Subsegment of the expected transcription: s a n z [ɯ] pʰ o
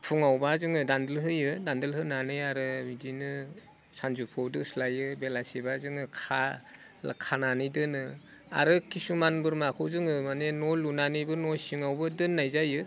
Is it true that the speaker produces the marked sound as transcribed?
no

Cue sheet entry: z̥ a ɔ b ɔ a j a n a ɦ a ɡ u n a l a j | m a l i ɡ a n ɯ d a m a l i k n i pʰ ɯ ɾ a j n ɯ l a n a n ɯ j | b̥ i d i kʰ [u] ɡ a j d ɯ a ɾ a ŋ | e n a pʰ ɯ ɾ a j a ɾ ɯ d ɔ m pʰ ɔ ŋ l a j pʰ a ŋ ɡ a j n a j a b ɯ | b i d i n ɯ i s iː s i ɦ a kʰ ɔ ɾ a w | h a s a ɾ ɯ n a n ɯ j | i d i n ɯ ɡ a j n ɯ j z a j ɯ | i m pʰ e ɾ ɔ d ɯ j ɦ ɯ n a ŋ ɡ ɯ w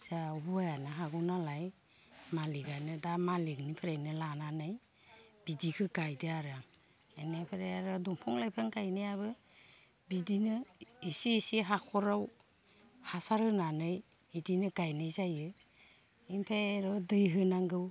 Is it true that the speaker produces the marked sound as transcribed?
no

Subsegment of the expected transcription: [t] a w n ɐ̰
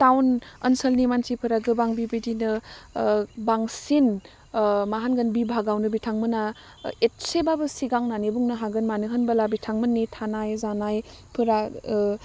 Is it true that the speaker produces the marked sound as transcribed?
yes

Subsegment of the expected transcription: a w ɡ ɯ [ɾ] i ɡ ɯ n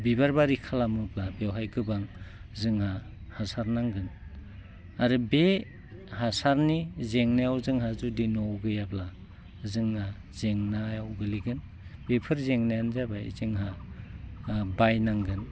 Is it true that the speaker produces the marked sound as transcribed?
no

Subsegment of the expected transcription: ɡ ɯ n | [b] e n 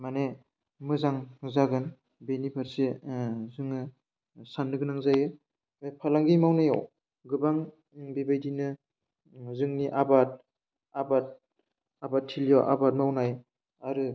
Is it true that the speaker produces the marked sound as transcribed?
yes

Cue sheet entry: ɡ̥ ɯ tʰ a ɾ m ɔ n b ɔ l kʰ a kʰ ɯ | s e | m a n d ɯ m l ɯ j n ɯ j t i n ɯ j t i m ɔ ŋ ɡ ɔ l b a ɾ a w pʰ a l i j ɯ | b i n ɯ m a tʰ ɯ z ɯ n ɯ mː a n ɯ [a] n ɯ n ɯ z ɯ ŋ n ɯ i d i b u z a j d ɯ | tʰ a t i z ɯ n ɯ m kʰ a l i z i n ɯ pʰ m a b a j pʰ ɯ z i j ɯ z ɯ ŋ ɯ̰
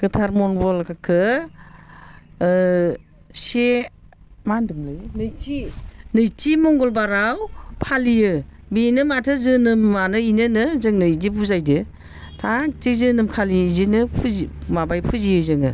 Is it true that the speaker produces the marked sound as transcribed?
no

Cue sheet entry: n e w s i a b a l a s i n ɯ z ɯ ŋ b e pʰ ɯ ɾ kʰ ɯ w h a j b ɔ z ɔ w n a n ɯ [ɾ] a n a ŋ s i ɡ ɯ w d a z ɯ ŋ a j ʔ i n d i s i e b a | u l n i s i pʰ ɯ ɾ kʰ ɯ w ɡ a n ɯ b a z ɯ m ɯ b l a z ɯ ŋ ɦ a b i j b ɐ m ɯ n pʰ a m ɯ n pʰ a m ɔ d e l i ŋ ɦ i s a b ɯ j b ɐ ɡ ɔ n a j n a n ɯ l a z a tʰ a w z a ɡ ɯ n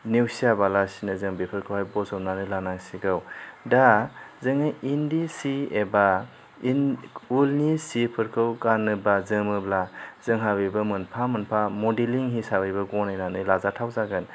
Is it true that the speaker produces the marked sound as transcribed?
no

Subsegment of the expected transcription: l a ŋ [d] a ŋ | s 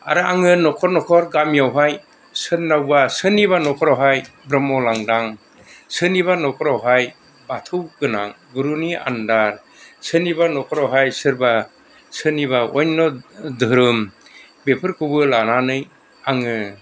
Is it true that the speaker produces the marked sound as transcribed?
yes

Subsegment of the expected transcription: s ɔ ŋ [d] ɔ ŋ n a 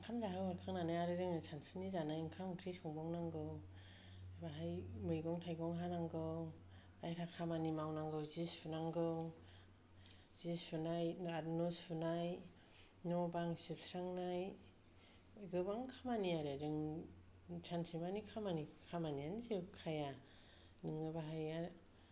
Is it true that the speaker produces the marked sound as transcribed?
no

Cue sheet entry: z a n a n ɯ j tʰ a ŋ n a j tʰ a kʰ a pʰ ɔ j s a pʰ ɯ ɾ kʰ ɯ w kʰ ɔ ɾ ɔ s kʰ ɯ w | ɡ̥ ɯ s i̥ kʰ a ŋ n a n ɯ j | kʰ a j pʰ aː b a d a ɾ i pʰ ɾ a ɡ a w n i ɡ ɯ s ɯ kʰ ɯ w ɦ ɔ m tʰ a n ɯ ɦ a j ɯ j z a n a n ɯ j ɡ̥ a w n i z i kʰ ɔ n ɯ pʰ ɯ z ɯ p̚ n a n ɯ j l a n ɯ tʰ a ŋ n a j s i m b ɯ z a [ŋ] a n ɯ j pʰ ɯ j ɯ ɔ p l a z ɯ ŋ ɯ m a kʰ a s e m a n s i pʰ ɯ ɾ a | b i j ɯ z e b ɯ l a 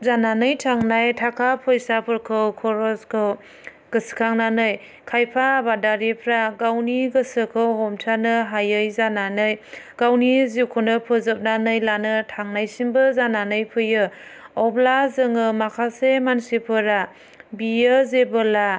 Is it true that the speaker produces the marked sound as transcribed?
no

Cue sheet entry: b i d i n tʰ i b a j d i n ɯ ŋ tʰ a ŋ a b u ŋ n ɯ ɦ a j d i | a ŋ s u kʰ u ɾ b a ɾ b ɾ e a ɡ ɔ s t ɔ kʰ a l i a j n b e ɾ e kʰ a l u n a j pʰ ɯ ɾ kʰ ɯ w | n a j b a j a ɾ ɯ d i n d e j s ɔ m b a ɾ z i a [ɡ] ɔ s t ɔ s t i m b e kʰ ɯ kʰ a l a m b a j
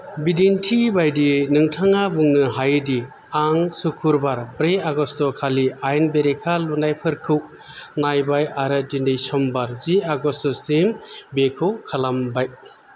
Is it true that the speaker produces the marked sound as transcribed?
yes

